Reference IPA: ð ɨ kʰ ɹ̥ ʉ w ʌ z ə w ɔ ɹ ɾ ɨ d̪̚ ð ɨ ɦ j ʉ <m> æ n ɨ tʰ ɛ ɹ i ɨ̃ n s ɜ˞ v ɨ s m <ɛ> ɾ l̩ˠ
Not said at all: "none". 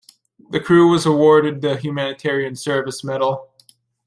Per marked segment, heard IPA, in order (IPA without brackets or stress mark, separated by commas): m, ɛ